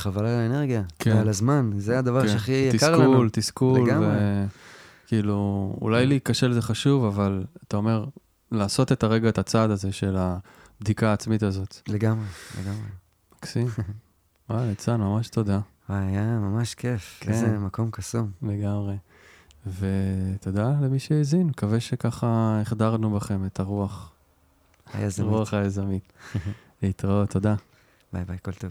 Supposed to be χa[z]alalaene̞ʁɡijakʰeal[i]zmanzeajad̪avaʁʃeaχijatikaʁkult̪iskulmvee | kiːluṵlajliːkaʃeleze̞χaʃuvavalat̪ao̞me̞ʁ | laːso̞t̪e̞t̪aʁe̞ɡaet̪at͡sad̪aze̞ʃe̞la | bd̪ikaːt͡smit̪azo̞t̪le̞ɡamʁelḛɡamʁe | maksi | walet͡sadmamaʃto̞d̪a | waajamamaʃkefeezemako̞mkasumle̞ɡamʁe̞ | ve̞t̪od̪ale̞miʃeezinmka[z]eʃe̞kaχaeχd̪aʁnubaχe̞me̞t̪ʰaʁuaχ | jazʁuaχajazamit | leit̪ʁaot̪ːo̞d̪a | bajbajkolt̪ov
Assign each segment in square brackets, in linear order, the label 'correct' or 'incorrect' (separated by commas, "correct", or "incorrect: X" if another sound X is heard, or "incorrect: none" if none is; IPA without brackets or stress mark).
incorrect: v, incorrect: a, incorrect: v